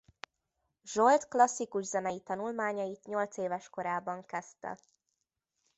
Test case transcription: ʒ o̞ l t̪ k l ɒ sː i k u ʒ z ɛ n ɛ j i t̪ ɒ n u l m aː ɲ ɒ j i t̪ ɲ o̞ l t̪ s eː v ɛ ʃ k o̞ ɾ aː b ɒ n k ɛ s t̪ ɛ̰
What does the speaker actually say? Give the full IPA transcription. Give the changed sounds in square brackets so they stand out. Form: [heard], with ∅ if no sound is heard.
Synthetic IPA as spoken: ʒ o̞ l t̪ k l ɒ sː i k u ʒ z ɛ n ɛ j i t̪ ɒ n u l m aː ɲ ɒ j i t̪ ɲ o̞ l t̪ s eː v ɛ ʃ k o̞ ɾ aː b ɒ [ŋ] k ɛ s t̪ ɛ̰